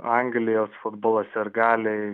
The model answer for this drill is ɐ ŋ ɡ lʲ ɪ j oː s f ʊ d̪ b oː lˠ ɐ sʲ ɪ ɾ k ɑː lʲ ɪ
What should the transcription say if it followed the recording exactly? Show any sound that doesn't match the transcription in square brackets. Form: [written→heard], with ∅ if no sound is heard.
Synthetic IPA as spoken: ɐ ŋ ɡ lʲ ɪ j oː s f ʊ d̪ b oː lˠ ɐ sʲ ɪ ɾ [k→ɡ] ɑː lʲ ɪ